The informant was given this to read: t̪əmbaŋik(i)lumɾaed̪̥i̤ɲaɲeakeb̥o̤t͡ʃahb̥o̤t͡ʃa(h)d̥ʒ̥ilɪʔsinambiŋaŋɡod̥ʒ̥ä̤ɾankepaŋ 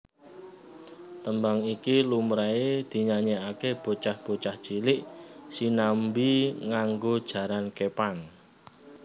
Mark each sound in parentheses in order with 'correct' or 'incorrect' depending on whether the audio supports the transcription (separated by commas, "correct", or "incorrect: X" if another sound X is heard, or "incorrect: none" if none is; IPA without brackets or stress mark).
correct, correct